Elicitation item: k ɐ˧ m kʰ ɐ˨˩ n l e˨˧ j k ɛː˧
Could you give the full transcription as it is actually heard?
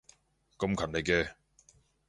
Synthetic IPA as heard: k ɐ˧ m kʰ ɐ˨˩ n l e˨˧ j k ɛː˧